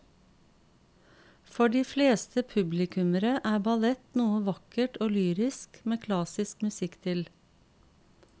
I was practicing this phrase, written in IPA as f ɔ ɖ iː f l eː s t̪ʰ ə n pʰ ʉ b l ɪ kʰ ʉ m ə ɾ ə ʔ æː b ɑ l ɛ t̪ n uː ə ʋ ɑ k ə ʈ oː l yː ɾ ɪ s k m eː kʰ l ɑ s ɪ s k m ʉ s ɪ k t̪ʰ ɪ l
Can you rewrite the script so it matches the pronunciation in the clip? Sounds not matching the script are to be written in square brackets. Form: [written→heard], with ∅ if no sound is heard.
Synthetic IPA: f ɔ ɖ iː f l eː s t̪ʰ ə [n→∅] pʰ ʉ b l ɪ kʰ ʉ m ə ɾ ə ʔ æː b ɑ l ɛ t̪ n uː ə ʋ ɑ k ə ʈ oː l yː ɾ ɪ s k m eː kʰ l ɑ s ɪ s k m ʉ s ɪ k t̪ʰ ɪ l